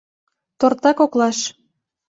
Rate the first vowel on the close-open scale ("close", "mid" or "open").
mid